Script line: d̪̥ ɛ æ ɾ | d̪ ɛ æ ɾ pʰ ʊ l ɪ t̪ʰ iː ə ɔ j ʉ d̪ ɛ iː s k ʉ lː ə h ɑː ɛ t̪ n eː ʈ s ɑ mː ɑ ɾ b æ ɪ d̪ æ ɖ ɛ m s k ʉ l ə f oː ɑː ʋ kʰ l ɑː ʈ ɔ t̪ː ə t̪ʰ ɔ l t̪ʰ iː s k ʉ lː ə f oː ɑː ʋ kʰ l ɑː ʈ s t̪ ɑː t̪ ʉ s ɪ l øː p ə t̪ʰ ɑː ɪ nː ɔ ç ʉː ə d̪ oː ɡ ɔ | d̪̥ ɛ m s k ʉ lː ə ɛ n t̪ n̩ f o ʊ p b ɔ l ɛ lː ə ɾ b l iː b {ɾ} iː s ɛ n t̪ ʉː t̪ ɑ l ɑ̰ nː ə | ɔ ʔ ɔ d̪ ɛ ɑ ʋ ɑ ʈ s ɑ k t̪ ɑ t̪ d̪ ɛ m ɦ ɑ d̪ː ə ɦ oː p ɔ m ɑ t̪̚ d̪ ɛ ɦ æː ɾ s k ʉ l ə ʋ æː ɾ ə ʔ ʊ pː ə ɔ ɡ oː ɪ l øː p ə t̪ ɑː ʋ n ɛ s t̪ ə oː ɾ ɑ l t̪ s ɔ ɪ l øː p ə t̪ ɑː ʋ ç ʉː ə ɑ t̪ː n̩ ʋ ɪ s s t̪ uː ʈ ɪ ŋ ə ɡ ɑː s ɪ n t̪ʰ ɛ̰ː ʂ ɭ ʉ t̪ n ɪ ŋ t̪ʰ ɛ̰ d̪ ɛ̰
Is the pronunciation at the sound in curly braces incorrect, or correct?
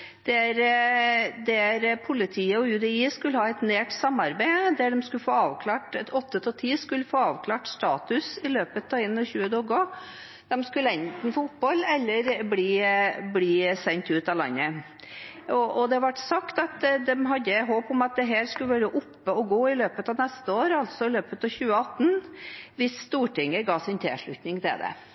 incorrect